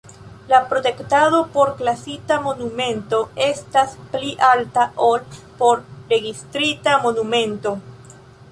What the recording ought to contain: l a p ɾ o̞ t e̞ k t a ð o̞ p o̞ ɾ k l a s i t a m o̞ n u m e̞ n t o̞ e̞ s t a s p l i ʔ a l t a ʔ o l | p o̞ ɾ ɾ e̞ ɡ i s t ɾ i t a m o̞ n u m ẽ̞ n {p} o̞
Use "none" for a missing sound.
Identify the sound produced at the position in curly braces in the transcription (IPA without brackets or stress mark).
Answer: t